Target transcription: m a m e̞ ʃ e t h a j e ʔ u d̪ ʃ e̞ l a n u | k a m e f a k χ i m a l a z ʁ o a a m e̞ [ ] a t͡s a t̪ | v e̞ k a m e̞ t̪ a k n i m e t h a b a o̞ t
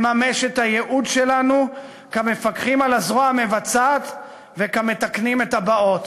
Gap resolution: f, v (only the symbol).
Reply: v